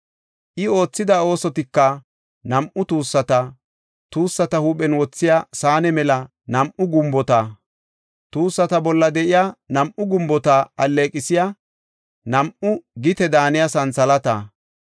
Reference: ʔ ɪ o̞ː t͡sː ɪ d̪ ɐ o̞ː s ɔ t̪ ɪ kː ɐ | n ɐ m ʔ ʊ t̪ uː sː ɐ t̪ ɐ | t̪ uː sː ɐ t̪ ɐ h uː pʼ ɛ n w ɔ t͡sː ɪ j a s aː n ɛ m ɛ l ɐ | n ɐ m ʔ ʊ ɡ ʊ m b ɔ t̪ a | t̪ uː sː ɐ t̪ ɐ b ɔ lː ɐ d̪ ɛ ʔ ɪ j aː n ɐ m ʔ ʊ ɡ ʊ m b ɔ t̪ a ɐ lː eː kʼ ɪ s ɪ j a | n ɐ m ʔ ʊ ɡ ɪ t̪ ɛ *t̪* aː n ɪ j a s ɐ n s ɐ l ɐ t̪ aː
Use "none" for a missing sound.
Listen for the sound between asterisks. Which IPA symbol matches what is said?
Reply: d̪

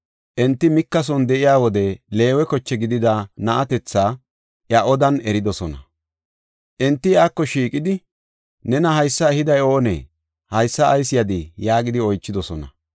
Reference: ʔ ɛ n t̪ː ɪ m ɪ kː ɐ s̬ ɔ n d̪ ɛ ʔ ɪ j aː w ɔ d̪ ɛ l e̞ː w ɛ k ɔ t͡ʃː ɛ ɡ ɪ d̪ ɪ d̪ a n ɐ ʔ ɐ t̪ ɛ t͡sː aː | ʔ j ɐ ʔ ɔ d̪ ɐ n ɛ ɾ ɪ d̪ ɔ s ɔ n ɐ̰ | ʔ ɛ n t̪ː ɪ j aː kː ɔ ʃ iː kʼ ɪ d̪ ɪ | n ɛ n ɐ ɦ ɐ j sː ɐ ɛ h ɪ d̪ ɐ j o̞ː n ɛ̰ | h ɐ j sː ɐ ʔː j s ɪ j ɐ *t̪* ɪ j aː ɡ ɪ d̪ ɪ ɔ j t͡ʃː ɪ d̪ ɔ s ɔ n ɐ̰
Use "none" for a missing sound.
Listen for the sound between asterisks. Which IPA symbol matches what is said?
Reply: d̪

